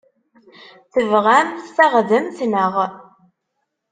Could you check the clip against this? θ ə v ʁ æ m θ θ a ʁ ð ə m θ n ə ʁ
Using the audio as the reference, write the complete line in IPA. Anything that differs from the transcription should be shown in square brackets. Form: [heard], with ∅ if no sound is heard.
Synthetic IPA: θ ə v ʁ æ m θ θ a ʁ ð ə m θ n ə ʁ